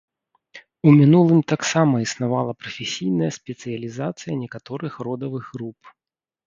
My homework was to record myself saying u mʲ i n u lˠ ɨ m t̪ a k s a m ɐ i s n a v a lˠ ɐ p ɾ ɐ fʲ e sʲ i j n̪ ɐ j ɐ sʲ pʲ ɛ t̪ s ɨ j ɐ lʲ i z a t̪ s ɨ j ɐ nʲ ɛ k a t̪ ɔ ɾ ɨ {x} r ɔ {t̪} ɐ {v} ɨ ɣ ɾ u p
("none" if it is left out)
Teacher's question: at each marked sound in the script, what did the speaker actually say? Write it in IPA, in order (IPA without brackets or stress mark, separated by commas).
x, d̪, v